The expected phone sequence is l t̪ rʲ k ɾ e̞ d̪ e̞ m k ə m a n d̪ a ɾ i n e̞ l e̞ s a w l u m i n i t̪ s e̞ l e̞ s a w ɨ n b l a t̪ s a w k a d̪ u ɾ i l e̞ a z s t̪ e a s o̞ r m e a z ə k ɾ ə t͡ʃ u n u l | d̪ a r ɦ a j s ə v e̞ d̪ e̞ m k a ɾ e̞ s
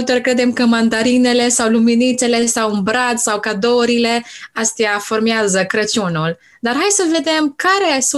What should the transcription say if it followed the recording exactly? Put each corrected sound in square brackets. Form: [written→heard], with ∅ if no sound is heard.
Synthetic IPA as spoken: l t̪ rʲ k ɾ e̞ d̪ e̞ m k ə m a n d̪ a ɾ i n e̞ l e̞ s a w l u m i n i t̪ s e̞ l e̞ s a w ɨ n b [l→ɾ] a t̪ s a w k a d̪ [u→o] ɾ i l e̞ a [z→∅] s t̪ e a [s→f] o̞ r m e a z ə k ɾ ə t͡ʃ u n u l | d̪ a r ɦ a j s ə v e̞ d̪ e̞ m k a ɾ e̞ s